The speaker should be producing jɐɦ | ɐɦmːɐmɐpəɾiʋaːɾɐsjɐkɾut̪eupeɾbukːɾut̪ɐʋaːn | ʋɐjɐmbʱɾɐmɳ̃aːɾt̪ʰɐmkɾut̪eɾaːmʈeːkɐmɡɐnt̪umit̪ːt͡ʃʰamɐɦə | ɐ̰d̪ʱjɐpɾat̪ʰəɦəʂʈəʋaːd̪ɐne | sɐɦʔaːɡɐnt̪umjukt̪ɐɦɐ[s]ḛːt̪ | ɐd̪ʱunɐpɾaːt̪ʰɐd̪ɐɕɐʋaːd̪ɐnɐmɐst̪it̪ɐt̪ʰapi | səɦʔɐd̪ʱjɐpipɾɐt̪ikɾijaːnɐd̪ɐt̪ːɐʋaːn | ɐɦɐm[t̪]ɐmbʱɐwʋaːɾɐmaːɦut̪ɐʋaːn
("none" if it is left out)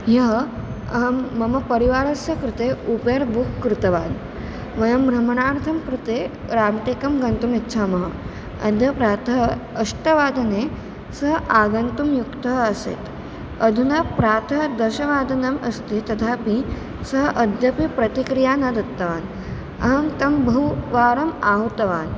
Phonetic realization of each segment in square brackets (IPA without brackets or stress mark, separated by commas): s, t̪